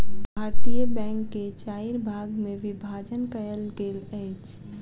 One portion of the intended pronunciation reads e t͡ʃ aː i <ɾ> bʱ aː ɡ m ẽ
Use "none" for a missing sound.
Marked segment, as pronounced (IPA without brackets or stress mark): ɾ